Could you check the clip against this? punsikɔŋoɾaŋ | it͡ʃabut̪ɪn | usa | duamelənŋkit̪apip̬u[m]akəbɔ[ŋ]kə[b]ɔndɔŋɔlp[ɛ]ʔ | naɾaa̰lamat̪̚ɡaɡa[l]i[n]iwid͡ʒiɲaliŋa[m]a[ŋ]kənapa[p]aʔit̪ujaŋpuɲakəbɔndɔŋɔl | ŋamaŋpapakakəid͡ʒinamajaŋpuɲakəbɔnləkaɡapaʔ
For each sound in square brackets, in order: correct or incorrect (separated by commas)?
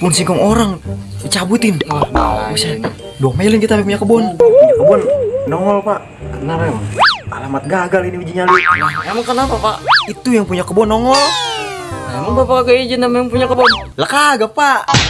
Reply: incorrect, incorrect, correct, incorrect, correct, correct, correct, correct, correct